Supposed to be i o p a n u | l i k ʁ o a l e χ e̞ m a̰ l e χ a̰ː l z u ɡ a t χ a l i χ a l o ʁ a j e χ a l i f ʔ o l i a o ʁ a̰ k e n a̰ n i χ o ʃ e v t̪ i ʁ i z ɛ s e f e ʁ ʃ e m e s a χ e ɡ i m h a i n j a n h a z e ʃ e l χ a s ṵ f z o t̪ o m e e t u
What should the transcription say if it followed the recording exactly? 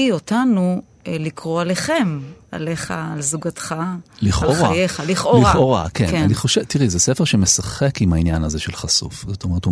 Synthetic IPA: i o t a n u | l i k ʁ o a l e χ e̞ m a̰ l e χ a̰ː l z u ɡ a t χ a l i χ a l o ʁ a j e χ a l i χ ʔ o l i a o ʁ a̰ k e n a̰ n i χ o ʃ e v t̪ i ʁ i z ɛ s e f e ʁ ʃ e m e s a χ e k i m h a i n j a n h a z e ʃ e l χ a s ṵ f z o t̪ o m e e t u